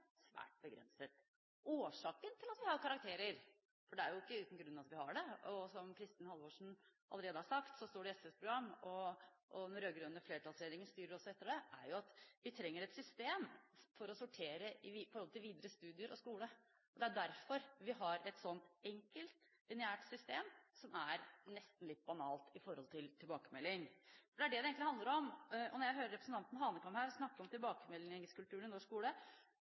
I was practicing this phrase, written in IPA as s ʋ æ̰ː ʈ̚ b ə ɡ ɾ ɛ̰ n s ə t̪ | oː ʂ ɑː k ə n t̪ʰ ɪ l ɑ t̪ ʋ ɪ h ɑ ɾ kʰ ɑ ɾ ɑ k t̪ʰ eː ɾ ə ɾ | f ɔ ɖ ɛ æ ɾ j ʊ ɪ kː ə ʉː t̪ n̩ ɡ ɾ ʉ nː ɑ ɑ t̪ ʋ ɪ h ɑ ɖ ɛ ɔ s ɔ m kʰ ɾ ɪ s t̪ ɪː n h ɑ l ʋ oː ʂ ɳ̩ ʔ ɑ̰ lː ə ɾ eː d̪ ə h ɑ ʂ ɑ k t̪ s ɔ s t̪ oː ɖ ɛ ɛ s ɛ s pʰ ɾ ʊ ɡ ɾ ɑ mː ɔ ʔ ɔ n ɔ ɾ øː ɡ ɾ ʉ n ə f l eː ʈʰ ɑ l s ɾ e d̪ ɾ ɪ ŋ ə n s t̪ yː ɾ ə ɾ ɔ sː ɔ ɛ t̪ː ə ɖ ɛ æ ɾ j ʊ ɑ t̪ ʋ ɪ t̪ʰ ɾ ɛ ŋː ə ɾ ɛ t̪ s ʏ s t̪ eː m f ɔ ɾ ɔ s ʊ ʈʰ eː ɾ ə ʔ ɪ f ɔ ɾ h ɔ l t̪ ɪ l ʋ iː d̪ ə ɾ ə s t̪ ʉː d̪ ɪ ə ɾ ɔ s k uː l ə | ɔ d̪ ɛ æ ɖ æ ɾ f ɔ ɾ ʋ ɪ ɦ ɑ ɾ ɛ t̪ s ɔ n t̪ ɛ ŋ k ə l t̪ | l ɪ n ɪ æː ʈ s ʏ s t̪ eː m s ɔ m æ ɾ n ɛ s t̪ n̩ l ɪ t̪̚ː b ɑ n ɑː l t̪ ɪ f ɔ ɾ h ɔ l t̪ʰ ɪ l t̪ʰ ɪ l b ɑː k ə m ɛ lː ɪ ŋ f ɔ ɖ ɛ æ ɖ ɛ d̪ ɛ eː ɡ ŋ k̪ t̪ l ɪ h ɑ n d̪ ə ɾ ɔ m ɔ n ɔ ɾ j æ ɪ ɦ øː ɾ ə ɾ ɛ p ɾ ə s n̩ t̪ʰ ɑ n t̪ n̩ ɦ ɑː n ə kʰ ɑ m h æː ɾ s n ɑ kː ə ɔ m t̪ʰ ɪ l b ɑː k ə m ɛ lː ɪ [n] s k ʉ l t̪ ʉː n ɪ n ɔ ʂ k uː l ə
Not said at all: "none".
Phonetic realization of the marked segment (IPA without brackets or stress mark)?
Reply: ŋ